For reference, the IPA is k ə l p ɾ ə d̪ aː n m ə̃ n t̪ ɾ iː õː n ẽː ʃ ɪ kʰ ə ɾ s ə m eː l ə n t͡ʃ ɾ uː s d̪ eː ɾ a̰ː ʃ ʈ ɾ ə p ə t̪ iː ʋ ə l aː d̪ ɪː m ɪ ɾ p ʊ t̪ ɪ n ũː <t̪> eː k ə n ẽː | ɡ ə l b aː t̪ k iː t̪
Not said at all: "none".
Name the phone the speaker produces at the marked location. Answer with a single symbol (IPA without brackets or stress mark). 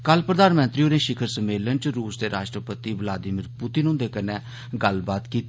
d̪